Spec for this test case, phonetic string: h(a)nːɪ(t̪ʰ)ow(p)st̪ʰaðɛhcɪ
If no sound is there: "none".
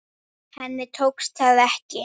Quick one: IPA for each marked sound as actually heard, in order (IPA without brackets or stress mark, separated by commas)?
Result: ɛ, t̪ʰ, k